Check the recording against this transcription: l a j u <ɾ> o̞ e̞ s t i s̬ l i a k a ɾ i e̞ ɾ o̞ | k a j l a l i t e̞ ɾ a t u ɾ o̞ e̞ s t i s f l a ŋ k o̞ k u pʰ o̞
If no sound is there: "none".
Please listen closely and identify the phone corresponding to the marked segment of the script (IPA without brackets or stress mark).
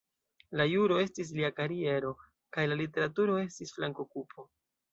ɾ